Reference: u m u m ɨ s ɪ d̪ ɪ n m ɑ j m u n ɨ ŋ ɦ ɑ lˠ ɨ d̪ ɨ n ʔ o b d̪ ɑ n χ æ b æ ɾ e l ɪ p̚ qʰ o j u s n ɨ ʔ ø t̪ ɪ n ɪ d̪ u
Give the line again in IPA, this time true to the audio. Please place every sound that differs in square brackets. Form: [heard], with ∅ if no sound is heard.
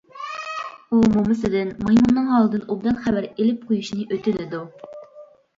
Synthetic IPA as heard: u m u m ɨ s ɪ d̪ ɪ n m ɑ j m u [nː] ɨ ŋ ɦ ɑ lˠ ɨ d̪ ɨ n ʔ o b d̪ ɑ n χ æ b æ ɾ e l ɪ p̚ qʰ o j u [ʃ] n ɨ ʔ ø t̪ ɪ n ɪ d̪ u

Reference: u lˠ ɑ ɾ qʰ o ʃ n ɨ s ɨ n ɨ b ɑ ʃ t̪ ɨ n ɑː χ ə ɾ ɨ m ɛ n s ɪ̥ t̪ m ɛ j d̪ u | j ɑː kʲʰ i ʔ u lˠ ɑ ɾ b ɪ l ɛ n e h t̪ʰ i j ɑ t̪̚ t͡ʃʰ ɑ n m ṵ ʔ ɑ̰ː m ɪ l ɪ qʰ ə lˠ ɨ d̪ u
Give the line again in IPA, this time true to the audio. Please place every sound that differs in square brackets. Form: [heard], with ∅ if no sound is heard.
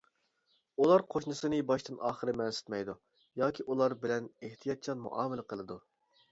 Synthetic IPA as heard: u lˠ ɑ ɾ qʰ o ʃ n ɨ s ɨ n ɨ b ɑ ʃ t̪ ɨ n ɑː χ ə ɾ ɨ m ɛ n s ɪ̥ t̪ m ɛ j d̪ u | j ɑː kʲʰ i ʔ u lˠ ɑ ɾ b ɪ l ɛ n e h t̪ʰ i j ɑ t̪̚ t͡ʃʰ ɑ n m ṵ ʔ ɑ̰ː m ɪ l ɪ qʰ ə lˠ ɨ d̪ u

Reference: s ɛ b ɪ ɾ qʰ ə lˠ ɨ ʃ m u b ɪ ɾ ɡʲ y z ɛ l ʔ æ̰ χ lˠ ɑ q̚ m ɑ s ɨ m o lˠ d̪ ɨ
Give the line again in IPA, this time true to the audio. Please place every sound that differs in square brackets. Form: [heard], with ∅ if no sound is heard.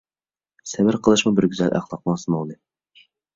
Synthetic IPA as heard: s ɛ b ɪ ɾ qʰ ə lˠ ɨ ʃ m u b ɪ ɾ ɡʲ y z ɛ l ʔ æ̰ χ lˠ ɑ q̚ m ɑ s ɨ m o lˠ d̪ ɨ

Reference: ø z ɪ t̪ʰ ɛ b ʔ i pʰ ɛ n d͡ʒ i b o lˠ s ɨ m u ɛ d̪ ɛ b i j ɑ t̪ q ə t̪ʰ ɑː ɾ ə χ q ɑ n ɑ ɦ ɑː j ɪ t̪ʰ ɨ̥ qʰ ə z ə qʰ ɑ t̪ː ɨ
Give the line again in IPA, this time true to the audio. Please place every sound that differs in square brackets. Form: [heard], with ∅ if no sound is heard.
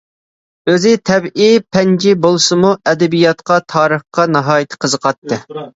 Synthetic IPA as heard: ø z ɪ t̪ʰ ɛ b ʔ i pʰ ɛ n d͡ʒ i b o lˠ s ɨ m u ɛ d̪ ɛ b i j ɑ t̪ q [ɑ] t̪ʰ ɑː ɾ ə χ q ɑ n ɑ ɦ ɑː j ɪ t̪ʰ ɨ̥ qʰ ə z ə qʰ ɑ t̪ː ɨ

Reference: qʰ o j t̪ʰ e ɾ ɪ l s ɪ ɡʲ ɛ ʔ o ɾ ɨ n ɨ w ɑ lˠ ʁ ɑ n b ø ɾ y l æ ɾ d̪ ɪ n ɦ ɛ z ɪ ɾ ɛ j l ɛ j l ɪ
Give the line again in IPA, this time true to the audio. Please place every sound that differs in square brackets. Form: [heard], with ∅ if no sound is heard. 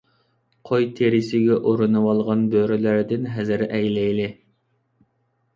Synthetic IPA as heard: qʰ o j t̪ʰ e ɾ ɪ [∅] s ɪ ɡʲ ɛ ʔ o ɾ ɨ n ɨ w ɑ lˠ ʁ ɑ n b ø ɾ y l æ ɾ d̪ ɪ n ɦ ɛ z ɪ ɾ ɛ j l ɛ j l ɪ

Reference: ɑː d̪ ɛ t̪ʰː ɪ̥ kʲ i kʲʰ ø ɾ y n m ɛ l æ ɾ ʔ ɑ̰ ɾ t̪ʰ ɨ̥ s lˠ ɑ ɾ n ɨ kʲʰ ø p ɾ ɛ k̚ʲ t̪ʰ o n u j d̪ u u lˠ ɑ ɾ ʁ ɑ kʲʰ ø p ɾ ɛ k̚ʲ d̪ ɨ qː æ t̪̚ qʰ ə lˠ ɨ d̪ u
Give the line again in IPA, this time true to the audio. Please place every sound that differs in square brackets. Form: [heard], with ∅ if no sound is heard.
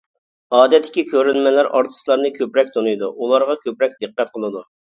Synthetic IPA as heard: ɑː d̪ ɛ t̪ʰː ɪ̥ kʲ i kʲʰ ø ɾ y n m ɛ l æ ɾ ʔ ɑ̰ ɾ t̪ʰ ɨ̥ s lˠ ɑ ɾ n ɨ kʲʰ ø p ɾ ɛ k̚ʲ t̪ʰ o n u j d̪ u u lˠ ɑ ɾ ʁ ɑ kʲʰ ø p ɾ ɛ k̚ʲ d̪ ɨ qː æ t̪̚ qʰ ə lˠ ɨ d̪ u

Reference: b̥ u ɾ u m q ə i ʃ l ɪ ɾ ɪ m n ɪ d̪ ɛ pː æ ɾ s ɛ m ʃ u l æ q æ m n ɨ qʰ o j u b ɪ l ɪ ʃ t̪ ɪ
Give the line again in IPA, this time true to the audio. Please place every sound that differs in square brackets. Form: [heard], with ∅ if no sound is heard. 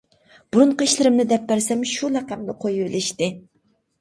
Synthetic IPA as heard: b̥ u ɾ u [ɴ] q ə i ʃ l ɪ ɾ ɪ m n ɪ d̪ ɛ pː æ ɾ s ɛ m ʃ u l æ q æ m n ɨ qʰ o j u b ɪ l ɪ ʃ t̪ ɪ

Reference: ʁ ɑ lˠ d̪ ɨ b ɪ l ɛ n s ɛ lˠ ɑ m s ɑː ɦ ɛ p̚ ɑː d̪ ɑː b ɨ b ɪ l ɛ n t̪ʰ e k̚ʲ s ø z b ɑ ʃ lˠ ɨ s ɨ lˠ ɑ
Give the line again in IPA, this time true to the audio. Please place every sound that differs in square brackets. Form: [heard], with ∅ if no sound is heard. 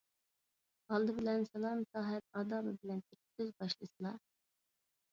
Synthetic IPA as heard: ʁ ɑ lˠ d̪ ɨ b ɪ l ɛ n s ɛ lˠ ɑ m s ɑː ɦ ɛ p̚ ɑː d̪ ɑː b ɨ b ɪ l ɛ n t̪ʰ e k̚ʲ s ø z b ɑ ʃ lˠ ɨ s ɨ lˠ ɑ

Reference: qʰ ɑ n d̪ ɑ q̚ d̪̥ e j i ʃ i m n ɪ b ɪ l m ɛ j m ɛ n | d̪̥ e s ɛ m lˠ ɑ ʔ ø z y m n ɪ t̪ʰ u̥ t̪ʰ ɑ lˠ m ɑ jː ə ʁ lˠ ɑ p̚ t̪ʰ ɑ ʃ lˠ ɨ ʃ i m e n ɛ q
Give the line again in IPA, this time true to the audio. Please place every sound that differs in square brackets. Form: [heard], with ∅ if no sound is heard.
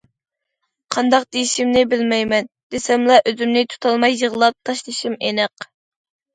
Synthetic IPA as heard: qʰ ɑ n d̪ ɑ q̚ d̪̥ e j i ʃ i m n ɪ b ɪ l m ɛ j m ɛ n | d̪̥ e s ɛ m lˠ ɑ ʔ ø z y m n ɪ t̪ʰ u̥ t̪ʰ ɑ lˠ m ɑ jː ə ʁ lˠ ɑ p̚ t̪ʰ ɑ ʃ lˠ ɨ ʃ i m e n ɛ q

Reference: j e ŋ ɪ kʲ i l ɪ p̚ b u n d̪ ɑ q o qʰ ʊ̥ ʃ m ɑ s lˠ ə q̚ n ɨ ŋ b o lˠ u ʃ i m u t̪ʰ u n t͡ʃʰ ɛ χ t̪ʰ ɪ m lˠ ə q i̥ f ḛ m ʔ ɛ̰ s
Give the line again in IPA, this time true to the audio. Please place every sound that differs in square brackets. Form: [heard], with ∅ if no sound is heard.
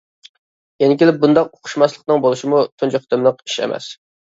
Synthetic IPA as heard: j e [n] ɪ kʲ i l ɪ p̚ b u n d̪ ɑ q o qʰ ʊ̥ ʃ m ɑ s lˠ ə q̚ n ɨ ŋ b o lˠ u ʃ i m u t̪ʰ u n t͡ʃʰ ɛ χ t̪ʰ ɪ m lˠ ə q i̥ [ʃ] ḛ m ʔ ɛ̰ s

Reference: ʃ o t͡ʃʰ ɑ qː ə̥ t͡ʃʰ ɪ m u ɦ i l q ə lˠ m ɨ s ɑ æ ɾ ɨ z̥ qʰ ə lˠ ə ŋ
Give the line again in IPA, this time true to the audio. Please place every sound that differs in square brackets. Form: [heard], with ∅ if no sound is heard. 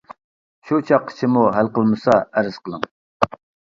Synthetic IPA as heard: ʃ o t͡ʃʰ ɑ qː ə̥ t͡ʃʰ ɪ m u ɦ [æ] l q ə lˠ m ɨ s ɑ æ ɾ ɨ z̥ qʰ ə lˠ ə ŋ

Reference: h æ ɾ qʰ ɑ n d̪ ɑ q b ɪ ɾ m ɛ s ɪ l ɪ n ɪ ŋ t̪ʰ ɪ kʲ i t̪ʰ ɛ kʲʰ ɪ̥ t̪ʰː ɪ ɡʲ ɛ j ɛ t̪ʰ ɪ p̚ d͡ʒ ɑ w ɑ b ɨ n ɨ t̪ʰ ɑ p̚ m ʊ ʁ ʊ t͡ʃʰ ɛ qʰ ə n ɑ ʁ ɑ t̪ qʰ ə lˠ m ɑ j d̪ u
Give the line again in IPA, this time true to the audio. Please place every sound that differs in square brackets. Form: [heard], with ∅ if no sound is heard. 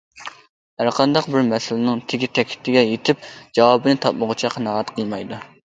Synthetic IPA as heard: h æ ɾ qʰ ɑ n d̪ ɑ q b ɪ ɾ m ɛ s ɪ l ɪ n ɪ ŋ t̪ʰ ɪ [ɡʲ] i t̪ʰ ɛ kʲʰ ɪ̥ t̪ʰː ɪ ɡʲ ɛ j [e] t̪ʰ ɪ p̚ d͡ʒ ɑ w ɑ b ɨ n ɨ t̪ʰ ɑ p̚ m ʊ ʁ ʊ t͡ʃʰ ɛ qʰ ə n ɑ ʁ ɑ t̪ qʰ ə lˠ m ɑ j d̪ u

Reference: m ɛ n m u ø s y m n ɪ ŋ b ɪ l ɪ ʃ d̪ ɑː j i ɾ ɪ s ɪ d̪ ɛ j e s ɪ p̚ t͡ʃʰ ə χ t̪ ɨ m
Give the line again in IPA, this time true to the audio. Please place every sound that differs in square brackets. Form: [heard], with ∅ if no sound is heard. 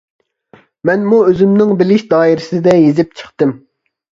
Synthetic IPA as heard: m ɛ n m u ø [z] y m n ɪ ŋ b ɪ l ɪ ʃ d̪ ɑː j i ɾ ɪ s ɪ d̪ ɛ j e [z] ɪ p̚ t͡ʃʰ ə χ t̪ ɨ m

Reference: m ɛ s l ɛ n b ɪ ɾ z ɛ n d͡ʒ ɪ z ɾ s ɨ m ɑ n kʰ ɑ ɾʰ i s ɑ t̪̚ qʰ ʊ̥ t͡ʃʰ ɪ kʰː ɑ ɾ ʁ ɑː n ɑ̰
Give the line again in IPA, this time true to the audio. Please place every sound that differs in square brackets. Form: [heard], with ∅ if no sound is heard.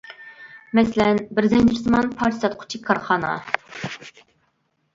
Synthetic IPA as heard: m ɛ s l ɛ n b ɪ ɾ z ɛ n d͡ʒ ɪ [∅] ɾ s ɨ m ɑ n [pʰ] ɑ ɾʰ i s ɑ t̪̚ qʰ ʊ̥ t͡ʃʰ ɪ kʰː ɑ ɾ [χ] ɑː n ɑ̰

